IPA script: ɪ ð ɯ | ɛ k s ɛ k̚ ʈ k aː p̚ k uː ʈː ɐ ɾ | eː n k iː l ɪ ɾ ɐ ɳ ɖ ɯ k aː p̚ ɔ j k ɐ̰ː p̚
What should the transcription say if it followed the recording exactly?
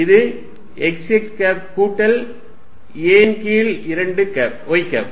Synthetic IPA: ɪ ð ɯ | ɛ k s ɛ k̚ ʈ k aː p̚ k uː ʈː ɐ l | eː n k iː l ɪ ɾ ɐ ɳ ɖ ɯ k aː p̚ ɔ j k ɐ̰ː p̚